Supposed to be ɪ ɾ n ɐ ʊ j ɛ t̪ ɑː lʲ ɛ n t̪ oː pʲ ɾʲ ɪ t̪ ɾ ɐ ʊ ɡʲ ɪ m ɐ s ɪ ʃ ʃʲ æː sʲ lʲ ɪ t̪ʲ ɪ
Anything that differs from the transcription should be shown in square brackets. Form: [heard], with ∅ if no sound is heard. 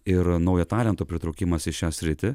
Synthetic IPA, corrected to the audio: ɪ ɾ n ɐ ʊ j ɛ t̪ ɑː lʲ ɛ n t̪ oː pʲ ɾʲ ɪ t̪ ɾ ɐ ʊ [kʲ] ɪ m ɐ s ɪ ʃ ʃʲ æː sʲ [ɾʲ] ɪ t̪ʲ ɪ